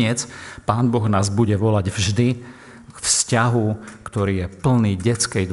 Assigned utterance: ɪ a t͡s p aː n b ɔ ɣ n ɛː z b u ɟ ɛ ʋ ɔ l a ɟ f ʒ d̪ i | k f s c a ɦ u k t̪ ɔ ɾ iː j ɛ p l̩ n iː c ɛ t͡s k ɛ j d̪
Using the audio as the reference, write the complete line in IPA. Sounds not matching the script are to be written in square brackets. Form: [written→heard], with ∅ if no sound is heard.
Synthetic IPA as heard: ɪ [a→ɛ] t͡s p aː n b ɔ ɣ n [ɛː→aː] z b u ɟ ɛ ʋ ɔ l a ɟ [f→v] ʒ d̪ i | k f s c a ɦ u k t̪ ɔ ɾ iː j ɛ p l̩ n iː [c→ɟ] ɛ t͡s k ɛ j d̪